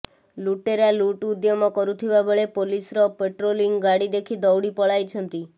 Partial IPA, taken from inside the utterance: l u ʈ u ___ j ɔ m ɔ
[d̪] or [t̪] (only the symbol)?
d̪